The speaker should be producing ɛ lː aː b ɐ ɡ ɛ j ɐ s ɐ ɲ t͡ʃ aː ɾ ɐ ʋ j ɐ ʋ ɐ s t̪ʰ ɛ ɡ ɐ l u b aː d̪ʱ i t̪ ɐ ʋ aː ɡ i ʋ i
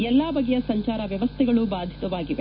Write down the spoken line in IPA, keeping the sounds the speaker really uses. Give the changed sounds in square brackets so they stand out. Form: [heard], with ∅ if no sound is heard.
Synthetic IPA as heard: ɛ lː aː b ɐ ɡ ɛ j ɐ s ɐ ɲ t͡ʃ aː ɾ ɐ ʋ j ɐ ʋ ɐ s t̪ʰ ɛ ɡ ɐ [ɭ] u b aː d̪ʱ i t̪ ɐ ʋ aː ɡ i ʋ [e]